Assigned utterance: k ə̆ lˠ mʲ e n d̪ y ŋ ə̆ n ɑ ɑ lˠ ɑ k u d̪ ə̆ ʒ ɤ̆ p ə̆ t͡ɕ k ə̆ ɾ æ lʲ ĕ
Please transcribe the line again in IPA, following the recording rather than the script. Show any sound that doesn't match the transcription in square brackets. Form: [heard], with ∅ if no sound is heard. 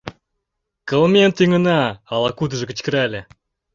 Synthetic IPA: k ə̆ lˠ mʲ e n [t̪] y ŋ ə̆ n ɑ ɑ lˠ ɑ k u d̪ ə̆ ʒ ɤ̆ [k] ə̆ t͡ɕ k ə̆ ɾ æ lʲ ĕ